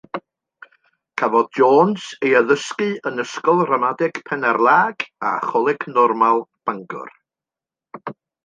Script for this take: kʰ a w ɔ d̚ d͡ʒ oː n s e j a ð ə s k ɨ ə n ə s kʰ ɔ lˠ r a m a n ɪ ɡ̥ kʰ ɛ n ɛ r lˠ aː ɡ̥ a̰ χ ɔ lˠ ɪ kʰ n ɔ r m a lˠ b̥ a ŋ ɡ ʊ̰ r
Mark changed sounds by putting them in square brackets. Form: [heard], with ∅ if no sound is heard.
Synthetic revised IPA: kʰ a [v] ɔ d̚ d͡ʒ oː n s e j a ð ə s k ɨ ə n ə s [k] ɔ lˠ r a m a [d] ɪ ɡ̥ [pʰ] ɛ n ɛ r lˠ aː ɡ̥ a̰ χ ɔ lˠ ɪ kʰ n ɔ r m a lˠ b̥ a ŋ ɡ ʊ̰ r